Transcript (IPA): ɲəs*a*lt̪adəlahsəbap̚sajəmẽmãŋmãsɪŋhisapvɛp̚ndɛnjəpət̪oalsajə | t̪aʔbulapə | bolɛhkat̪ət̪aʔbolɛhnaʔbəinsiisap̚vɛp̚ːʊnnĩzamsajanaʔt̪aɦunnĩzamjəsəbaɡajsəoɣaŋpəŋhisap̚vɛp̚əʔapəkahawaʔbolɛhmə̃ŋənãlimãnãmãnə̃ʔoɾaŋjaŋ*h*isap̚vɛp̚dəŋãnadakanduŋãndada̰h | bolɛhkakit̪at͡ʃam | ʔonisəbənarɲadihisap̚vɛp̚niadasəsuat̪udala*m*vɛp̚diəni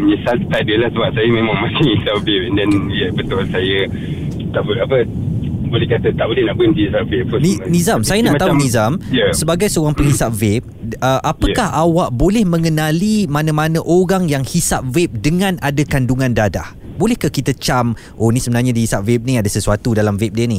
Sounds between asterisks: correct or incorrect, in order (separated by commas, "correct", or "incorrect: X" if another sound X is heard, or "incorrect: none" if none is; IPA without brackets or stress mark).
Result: correct, correct, correct